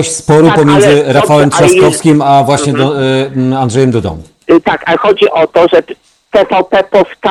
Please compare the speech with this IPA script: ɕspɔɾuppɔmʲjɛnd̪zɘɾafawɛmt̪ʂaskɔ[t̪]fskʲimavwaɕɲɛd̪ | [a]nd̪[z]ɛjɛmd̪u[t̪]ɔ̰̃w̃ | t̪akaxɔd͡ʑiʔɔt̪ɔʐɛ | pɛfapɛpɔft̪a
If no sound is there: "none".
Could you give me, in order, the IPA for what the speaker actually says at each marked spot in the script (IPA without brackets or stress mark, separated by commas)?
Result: none, a, ʐ, d̪